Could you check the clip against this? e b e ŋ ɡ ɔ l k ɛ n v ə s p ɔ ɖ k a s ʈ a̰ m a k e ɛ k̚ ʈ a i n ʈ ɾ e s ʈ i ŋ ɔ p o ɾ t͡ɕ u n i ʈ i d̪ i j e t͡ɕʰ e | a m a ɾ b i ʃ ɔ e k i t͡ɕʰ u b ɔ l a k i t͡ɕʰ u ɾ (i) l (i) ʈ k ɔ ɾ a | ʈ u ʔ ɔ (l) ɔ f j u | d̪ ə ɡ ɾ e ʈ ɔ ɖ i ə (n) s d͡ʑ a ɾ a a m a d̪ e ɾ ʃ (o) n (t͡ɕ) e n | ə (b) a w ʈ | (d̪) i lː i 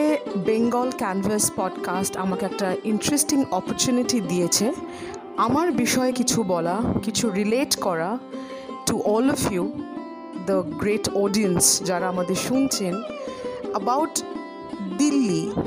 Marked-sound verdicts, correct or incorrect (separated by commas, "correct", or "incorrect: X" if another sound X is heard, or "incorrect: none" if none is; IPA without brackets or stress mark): correct, incorrect: e, correct, correct, incorrect: u, incorrect: t͡ɕʰ, correct, correct